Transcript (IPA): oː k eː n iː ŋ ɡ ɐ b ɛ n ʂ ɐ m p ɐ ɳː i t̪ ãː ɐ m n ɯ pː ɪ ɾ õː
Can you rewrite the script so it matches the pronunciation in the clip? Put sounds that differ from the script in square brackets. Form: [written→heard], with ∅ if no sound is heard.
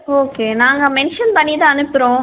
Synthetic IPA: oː k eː n [iː→aː] ŋ ɡ ɐ [b→m] ɛ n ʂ ɐ [m→n] p ɐ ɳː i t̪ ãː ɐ [m→∅] n ɯ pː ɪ ɾ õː